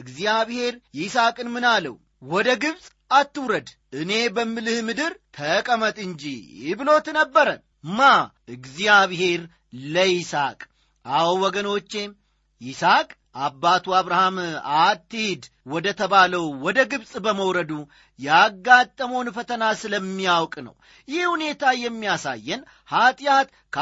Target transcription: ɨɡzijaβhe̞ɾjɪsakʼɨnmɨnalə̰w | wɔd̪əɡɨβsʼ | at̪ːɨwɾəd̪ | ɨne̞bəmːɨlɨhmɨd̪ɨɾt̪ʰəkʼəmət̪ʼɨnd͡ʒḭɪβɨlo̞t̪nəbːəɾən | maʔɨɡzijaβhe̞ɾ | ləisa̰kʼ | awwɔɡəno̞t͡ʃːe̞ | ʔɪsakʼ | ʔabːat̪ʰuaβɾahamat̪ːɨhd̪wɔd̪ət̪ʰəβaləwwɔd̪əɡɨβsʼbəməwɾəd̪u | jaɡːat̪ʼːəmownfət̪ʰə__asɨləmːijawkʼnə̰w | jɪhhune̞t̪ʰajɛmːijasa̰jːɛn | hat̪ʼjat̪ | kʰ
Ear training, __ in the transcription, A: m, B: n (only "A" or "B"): B